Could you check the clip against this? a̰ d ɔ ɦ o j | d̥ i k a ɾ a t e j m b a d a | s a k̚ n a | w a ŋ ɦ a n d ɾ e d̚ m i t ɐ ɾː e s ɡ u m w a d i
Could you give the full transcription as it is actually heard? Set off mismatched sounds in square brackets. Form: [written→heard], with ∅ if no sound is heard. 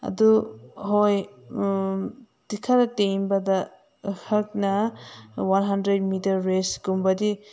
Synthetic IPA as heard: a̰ d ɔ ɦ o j | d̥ i [k→kʰ] a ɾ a t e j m b a d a | [s→h] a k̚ n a | w a [ŋ→n] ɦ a n d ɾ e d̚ m i t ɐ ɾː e s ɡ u m [w→b] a d i